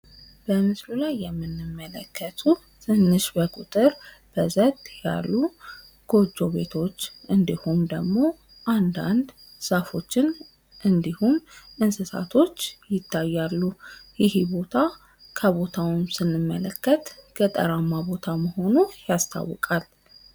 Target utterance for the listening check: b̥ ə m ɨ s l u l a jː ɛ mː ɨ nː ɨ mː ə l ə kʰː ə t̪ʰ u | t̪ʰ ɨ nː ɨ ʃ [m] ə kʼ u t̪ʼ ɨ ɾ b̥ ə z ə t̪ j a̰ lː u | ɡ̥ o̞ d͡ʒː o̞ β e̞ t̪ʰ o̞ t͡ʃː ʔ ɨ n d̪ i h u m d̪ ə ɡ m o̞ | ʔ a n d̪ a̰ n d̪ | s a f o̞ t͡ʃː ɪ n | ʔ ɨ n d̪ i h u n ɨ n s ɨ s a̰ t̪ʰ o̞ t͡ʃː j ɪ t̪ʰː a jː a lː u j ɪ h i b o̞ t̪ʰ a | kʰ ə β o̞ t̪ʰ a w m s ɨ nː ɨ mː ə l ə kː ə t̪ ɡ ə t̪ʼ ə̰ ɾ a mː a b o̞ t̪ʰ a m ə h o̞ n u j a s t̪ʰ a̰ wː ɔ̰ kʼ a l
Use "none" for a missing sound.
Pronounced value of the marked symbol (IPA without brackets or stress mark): b